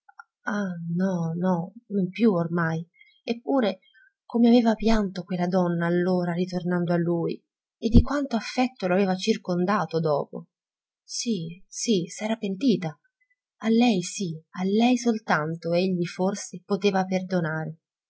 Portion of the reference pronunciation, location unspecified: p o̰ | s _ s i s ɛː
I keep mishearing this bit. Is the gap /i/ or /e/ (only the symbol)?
i